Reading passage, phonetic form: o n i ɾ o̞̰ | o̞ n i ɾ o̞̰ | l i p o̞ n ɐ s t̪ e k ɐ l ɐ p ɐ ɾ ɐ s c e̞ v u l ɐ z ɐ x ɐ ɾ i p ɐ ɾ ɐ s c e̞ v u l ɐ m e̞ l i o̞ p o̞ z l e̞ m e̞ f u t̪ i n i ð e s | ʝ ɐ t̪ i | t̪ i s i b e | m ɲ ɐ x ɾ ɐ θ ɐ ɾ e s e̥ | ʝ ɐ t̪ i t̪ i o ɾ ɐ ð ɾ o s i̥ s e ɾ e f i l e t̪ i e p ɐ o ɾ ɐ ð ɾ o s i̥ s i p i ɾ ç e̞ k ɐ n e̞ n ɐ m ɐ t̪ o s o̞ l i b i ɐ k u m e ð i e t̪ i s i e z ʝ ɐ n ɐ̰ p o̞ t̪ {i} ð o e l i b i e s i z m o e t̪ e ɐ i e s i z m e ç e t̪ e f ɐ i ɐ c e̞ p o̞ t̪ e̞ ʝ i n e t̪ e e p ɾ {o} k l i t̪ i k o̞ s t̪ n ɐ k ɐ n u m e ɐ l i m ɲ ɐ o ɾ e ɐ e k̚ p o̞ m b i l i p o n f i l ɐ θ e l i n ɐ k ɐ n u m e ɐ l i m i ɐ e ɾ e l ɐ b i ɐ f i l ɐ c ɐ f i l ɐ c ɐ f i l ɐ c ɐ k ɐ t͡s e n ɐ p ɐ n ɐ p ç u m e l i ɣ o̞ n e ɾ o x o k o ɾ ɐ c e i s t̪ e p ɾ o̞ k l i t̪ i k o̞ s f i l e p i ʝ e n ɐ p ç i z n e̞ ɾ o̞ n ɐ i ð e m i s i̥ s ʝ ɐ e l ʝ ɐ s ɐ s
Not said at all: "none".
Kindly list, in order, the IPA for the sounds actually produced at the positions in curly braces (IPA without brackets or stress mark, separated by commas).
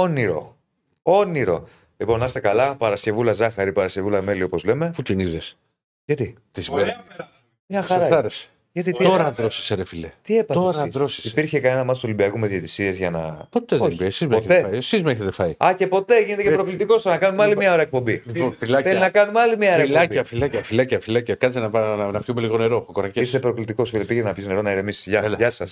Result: e, o